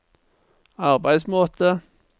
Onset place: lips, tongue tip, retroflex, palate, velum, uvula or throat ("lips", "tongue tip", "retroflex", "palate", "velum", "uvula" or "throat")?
uvula